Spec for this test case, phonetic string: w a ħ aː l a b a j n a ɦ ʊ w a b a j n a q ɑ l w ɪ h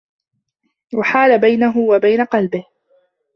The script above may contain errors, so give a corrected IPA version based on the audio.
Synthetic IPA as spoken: w a ħ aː l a b a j n a ɦ ʊ w a b a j n a q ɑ l b ɪ h